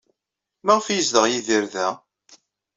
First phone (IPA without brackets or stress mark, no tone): m